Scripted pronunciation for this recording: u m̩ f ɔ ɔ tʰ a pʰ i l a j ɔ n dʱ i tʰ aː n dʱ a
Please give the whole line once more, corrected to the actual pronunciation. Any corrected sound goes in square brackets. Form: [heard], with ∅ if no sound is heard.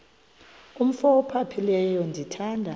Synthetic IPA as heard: u m̩ f ɔ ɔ [pʰ] a pʰ i l [ɛ] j ɔ n dʱ i tʰ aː n dʱ a